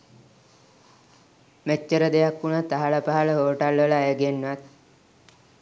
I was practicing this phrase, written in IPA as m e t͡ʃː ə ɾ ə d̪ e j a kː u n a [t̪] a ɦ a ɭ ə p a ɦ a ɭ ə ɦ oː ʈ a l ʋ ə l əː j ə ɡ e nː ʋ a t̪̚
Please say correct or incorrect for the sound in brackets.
correct